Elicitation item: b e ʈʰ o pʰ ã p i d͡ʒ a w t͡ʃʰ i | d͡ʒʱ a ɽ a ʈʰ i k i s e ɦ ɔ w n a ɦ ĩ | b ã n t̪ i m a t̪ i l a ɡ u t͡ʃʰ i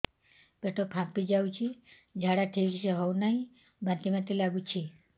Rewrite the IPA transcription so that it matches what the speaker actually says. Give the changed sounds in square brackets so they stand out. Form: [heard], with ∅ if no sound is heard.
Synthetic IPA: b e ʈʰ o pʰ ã p i d͡ʒ a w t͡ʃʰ i | d͡ʒʱ a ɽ a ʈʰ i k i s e ɦ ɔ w n a ɦ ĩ | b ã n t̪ i m a t̪ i l a ɡ u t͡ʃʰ i